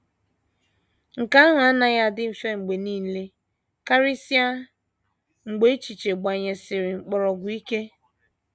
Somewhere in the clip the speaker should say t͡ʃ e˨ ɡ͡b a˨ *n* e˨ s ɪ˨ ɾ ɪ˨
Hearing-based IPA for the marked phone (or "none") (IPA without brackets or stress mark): ɲ